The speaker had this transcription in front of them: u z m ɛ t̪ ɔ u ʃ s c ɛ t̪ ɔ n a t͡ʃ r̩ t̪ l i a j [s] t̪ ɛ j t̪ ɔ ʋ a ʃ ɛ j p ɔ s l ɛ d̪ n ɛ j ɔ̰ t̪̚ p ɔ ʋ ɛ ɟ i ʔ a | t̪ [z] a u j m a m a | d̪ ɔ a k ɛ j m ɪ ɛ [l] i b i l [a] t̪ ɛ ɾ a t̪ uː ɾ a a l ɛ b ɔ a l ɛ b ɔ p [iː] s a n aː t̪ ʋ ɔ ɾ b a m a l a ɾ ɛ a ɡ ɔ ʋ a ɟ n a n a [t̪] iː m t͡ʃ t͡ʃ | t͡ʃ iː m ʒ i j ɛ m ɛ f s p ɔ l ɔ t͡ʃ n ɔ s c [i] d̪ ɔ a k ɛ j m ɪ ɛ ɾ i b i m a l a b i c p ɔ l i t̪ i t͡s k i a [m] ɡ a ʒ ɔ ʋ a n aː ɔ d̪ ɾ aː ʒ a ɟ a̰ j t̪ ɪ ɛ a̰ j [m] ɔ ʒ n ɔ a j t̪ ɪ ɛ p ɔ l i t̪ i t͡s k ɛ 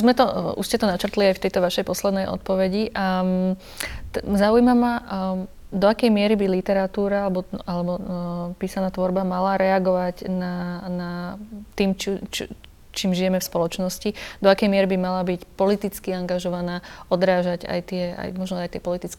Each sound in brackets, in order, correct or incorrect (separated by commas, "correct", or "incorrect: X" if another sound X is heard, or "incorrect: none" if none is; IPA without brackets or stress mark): incorrect: f, correct, incorrect: ɾ, incorrect: i, correct, correct, correct, incorrect: ŋ, correct